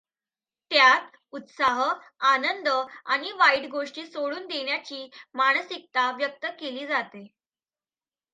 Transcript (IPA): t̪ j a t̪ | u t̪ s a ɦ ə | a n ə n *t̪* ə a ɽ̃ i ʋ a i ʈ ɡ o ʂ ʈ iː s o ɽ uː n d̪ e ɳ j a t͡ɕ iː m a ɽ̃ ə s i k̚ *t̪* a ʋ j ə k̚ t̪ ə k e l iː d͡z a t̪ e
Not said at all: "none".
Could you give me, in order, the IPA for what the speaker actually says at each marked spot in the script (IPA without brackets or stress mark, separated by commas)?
d̪, t̪